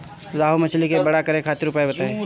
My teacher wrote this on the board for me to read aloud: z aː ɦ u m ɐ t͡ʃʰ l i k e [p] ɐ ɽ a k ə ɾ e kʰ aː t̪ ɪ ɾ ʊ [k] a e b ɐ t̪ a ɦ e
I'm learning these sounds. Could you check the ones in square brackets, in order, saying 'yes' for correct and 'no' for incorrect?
no, no

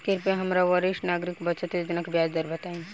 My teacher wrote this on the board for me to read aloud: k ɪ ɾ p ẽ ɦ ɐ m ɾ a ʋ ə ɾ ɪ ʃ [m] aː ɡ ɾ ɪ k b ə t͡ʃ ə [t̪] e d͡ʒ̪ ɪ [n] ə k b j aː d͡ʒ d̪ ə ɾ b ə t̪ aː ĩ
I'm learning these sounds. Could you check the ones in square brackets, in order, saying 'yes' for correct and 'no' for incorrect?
no, yes, yes

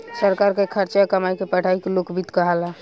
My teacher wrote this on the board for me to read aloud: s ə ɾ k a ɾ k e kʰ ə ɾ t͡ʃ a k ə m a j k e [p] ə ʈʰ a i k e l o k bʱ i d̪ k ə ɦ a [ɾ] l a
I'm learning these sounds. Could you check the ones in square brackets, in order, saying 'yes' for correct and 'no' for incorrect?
yes, no

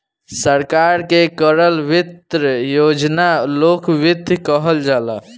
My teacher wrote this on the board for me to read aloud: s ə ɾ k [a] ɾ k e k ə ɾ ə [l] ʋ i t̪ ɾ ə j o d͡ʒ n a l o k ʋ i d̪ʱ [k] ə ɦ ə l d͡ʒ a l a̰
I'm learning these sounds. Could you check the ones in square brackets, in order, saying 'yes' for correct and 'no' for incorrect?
yes, yes, yes

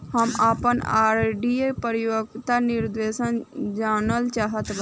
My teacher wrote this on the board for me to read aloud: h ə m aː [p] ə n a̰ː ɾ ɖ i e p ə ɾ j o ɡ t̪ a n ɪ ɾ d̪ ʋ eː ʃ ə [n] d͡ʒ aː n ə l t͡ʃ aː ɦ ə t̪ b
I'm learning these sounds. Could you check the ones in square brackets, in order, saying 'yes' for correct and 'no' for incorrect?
yes, yes

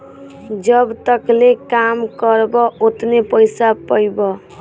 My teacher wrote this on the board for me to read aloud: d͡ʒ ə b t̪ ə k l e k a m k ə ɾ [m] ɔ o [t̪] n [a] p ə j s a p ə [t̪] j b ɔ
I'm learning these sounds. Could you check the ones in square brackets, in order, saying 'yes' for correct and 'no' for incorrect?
no, yes, no, no

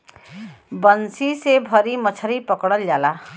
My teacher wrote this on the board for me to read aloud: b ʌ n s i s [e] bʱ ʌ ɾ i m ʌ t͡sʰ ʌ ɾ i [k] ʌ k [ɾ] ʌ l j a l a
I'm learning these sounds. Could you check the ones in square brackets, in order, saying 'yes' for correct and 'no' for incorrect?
yes, no, no

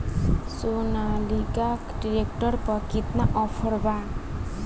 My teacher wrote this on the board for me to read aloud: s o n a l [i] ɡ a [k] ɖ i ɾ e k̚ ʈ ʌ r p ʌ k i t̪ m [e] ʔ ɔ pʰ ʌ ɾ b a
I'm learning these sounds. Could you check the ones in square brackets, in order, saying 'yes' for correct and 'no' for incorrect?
yes, yes, no

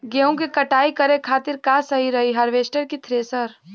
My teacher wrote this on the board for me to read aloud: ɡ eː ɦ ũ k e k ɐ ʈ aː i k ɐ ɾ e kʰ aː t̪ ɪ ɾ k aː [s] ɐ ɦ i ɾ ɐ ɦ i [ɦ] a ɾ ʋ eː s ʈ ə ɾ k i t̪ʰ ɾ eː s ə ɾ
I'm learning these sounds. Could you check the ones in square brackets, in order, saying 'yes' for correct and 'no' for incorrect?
yes, yes

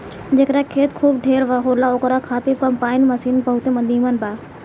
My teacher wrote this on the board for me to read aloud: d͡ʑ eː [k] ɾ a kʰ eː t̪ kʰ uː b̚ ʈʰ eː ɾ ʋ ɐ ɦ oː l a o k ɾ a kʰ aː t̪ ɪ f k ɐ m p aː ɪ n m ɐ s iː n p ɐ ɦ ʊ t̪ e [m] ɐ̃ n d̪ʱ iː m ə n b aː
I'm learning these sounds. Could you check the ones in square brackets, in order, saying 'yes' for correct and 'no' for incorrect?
yes, yes

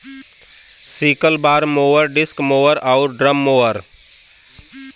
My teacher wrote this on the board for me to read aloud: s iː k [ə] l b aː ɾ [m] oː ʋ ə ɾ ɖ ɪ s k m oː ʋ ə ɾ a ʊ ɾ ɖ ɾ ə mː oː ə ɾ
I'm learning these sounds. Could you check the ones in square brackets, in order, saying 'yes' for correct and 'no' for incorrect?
yes, yes

